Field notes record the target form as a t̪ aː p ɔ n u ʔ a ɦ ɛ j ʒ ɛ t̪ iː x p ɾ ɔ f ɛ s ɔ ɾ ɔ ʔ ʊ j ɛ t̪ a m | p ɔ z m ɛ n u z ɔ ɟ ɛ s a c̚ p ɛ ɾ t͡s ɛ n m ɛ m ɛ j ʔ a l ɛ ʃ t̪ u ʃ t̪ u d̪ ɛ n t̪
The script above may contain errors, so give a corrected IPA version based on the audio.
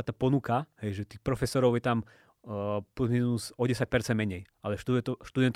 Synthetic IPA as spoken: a t̪ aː p ɔ n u k a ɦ ɛ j ʒ ɛ t̪ iː x p ɾ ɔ f ɛ s ɔ ɾ ɔ ʊ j ɛ t̪ a m | p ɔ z m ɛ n u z ɔ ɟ ɛ s a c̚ p ɛ ɾ t͡s ɛ n m ɛ ɲ ɛ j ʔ a l ɛ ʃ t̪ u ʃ t̪ u d̪ ɛ n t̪